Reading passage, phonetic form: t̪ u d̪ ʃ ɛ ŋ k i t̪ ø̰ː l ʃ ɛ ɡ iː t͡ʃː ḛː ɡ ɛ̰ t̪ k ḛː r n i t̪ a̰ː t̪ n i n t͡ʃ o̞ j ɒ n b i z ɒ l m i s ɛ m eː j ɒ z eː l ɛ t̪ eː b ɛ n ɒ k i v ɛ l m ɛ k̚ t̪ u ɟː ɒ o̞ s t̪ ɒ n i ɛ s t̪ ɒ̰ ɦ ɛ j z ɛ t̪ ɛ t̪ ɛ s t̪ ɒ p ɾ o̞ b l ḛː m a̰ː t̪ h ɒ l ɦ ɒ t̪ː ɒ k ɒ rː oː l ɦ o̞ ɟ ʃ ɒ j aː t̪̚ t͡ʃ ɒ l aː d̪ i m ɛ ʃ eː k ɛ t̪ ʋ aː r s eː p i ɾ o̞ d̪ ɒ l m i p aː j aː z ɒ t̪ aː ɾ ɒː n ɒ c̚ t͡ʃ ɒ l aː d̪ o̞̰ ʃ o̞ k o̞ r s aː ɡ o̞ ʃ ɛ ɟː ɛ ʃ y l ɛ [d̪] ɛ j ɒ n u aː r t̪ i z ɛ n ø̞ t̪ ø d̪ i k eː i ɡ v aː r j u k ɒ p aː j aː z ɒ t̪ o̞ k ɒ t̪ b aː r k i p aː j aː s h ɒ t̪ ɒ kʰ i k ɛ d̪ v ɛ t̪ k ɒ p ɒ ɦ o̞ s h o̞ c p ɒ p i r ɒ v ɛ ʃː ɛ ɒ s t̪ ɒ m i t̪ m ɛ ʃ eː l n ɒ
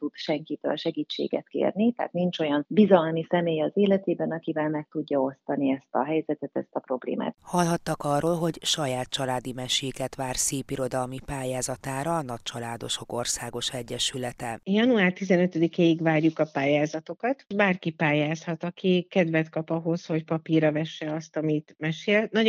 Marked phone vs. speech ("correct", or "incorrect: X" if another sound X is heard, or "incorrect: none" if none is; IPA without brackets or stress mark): incorrect: t̪